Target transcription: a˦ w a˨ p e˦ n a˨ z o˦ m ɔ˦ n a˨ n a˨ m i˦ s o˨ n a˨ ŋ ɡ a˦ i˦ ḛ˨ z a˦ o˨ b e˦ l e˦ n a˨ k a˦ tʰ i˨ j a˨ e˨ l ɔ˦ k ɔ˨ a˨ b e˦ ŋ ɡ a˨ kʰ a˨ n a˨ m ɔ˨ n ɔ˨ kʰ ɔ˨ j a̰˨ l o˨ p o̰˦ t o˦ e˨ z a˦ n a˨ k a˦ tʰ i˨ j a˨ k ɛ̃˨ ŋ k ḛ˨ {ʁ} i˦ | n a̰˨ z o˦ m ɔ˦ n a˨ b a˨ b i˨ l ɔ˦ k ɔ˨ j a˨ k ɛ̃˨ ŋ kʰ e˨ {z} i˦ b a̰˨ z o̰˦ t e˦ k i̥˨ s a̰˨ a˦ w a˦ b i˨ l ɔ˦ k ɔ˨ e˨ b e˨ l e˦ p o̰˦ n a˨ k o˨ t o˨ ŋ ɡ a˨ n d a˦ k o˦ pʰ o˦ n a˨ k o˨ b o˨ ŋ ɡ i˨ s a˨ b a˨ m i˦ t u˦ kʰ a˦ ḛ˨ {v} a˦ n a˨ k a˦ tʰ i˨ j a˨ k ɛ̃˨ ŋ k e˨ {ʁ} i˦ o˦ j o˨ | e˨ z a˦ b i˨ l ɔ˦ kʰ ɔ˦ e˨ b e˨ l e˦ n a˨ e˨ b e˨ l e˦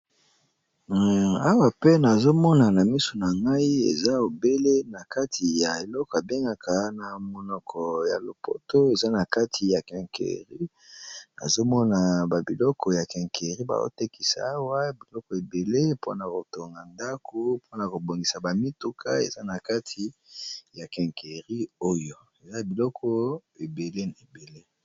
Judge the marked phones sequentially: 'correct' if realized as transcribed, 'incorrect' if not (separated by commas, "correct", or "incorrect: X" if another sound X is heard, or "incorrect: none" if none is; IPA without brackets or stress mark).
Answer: correct, incorrect: ʁ, incorrect: z, correct